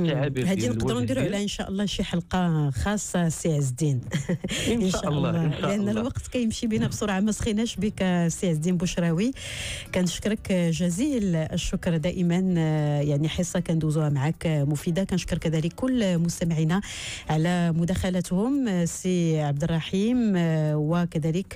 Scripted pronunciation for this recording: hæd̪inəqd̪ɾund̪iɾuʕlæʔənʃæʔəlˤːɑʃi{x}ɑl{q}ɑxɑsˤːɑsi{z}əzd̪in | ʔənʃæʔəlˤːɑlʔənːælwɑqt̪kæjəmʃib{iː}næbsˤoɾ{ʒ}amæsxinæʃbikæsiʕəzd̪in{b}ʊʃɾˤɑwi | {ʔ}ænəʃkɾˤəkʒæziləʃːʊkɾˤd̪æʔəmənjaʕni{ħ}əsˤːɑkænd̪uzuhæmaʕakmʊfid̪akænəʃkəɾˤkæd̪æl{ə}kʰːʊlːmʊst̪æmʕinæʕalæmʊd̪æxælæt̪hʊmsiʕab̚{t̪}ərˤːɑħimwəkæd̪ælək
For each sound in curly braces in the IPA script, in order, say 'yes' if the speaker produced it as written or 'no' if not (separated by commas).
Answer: no, yes, no, no, no, yes, no, yes, yes, no